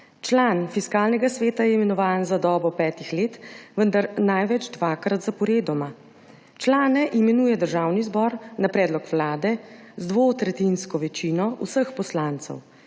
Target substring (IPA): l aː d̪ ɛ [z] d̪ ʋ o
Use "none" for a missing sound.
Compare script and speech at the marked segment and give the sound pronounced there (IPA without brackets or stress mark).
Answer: z